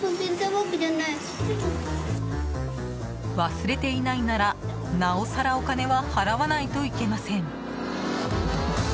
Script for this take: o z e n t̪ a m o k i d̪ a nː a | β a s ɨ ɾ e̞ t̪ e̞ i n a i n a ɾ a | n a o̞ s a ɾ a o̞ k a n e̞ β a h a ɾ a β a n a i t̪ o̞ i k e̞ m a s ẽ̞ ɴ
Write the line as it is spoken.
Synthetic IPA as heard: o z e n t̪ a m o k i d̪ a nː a | β a s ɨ ɾ e̞ t̪ e̞ i n a i n a ɾ a | n a o̞ s a ɾ a o̞ k a n e̞ β a h a ɾ a β a n a i t̪ o̞ i k e̞ m a s ẽ̞ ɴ